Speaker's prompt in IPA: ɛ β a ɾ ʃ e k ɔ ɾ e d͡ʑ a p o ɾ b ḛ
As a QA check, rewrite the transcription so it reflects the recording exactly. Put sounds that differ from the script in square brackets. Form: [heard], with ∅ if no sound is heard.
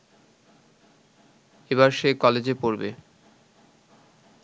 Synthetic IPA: [e] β a ɾ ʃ e k ɔ [l] e d͡ʑ [e] p o ɾ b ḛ